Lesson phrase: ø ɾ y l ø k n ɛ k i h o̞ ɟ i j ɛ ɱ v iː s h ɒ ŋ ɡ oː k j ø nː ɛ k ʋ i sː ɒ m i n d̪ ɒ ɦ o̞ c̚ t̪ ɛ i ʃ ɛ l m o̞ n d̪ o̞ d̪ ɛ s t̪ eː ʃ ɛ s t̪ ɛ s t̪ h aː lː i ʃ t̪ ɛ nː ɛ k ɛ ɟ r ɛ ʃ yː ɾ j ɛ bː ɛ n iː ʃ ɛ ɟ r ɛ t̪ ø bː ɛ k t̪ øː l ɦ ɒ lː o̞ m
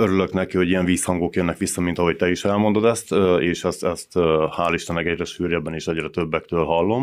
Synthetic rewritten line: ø ɾ y l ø k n ɛ k i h o̞ ɟ i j ɛ ɱ v iː s h ɒ ŋ ɡ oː k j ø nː ɛ k ʋ i sː ɒ m i n t̪ ɒ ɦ o̞ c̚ t̪ ɛ i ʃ ɛ l m o̞ n d̪ o̞ d̪ ɛ s t̪ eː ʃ ɛ s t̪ ɛ s t̪ h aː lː i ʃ t̪ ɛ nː ɛ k ɛ ɟ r ɛ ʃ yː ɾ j ɛ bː ɛ n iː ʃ ɛ ɟ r ɛ t̪ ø bː ɛ k t̪ øː l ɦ ɒ lː o̞ m